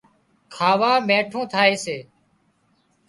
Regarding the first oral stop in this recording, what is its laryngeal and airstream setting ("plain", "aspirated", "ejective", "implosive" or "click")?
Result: aspirated